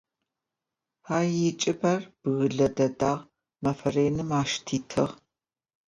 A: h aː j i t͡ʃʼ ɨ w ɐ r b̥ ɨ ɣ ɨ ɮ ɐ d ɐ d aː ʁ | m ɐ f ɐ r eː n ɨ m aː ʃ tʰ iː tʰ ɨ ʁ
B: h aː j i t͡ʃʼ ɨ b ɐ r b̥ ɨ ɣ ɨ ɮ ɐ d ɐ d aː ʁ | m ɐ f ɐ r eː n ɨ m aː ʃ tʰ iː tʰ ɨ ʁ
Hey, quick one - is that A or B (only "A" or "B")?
B